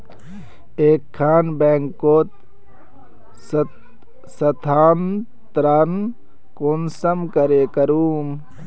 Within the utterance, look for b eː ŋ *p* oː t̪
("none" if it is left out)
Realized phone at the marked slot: k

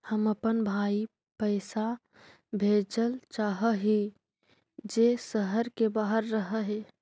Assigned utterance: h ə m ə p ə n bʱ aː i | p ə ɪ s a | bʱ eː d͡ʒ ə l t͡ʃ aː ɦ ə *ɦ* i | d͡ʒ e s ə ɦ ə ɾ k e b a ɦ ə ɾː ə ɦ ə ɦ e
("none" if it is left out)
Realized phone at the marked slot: ɦ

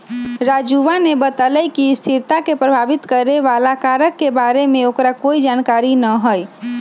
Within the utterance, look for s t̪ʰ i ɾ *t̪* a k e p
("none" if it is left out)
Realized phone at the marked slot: t̪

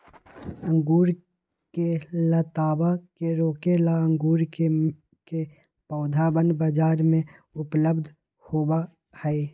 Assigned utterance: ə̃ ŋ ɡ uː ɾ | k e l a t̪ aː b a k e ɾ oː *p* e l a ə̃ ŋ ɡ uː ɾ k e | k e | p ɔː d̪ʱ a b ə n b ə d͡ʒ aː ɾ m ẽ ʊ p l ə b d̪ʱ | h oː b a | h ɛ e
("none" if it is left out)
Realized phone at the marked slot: k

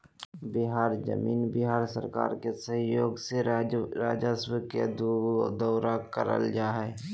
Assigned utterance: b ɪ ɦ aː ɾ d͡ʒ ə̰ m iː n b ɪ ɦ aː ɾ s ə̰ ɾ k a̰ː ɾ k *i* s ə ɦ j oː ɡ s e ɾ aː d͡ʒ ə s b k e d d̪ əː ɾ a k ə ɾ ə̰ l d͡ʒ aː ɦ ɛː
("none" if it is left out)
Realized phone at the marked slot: e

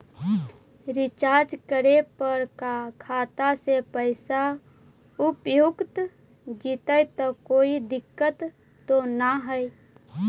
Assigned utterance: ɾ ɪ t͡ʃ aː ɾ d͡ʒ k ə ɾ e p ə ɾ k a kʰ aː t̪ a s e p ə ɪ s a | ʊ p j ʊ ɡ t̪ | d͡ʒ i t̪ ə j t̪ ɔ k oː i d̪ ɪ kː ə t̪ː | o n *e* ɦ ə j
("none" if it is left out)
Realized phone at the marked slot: a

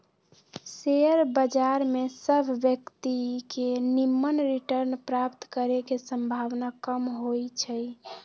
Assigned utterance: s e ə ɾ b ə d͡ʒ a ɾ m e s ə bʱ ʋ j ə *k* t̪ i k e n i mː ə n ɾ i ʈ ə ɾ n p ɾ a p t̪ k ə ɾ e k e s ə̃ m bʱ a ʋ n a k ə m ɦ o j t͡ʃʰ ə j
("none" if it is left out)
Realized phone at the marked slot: k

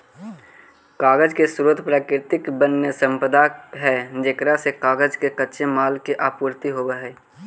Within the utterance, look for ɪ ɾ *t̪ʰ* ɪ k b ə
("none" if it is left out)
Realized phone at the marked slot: t̪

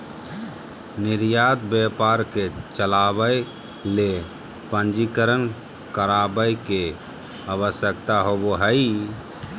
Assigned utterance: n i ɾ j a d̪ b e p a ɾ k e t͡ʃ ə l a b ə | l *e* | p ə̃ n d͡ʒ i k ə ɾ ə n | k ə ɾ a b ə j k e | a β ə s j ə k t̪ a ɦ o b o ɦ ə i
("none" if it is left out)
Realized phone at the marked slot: e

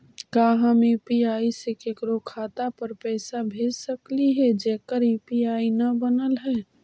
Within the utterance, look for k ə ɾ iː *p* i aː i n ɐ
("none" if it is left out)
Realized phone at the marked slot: p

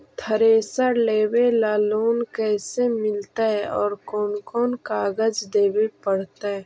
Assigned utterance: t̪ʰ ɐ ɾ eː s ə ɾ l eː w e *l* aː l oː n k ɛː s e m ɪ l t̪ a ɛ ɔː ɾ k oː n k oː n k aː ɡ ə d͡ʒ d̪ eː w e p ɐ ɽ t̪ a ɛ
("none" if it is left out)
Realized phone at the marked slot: l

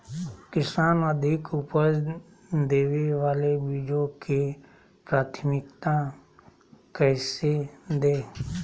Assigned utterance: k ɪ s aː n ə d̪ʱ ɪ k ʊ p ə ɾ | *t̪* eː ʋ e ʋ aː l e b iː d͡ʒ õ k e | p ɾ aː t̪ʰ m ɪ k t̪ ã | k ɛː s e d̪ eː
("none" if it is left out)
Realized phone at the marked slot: d̪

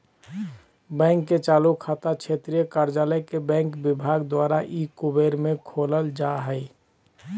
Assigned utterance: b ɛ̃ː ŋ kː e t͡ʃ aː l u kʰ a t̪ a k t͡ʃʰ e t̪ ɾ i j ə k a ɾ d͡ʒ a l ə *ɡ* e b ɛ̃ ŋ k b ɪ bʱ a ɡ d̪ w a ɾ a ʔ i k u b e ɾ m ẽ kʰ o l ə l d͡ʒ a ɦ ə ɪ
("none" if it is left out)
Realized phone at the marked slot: k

